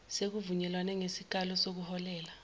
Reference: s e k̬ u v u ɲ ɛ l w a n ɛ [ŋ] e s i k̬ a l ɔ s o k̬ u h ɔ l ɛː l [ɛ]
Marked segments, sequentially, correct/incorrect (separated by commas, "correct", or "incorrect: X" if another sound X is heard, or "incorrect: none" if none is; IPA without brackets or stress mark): correct, incorrect: a